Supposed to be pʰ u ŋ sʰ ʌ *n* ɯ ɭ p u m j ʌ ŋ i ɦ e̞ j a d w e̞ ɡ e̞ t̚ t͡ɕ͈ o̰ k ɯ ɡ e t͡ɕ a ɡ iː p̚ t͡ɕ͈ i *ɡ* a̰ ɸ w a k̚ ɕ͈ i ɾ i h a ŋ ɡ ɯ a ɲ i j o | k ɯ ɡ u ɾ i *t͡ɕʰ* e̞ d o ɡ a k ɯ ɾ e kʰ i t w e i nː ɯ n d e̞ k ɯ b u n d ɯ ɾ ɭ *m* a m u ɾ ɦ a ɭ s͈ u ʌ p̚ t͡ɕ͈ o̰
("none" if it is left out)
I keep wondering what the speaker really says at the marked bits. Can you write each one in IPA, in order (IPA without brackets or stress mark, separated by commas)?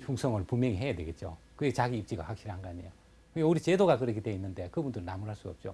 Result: ŋ, ɡ, t͡ɕ, n